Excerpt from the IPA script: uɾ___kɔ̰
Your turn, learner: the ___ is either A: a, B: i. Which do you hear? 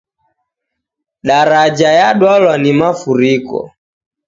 B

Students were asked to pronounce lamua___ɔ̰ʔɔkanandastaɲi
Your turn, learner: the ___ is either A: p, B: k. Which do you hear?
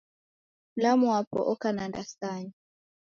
A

